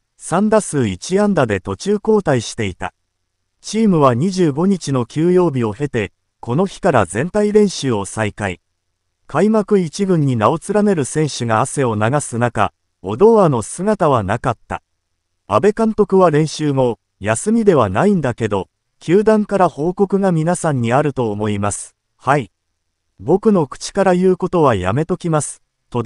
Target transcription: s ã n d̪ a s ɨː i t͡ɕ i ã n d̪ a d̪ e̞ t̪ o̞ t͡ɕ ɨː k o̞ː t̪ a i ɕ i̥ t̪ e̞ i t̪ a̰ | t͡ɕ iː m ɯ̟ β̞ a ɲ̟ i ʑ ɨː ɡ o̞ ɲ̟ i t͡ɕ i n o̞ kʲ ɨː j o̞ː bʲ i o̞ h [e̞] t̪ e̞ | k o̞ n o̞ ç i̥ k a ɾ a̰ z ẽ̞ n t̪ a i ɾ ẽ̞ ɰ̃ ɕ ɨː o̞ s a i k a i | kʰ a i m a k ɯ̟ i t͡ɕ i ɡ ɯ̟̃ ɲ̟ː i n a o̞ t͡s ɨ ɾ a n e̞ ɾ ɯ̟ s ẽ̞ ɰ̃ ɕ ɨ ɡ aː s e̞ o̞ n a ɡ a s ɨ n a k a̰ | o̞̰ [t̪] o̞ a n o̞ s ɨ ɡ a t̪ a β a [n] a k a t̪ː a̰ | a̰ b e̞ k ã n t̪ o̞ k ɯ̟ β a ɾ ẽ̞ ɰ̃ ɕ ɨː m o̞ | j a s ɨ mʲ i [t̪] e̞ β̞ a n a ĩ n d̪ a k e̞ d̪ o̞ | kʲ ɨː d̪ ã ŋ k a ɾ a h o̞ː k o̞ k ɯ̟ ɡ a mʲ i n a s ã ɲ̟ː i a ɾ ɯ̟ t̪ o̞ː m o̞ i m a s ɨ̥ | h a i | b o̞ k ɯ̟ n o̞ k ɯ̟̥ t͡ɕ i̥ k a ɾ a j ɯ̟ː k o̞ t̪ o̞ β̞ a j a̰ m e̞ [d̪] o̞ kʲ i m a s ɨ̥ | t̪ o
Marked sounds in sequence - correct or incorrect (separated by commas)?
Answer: correct, incorrect, correct, incorrect, incorrect